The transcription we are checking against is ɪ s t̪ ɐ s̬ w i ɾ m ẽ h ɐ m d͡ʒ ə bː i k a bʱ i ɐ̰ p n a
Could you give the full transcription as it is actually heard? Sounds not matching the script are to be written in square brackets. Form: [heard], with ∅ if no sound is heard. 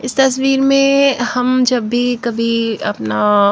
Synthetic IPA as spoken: ɪ s t̪ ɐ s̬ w [iː] ɾ m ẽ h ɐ m d͡ʒ [ɐ] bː i k [ɐ] bʱ i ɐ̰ p n a